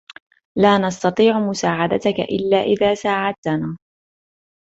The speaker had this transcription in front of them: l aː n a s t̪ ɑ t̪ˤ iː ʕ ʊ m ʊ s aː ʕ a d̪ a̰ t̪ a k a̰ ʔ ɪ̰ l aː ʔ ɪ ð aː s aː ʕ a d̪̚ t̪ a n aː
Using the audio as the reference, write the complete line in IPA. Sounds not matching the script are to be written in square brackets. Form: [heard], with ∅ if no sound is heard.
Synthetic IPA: l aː n [ɑ] s t̪ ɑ t̪ˤ iː ʕ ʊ m ʊ s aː ʕ a d̪ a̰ t̪ a k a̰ ʔ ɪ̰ [lː] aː ʔ ɪ ð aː s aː ʕ a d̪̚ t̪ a n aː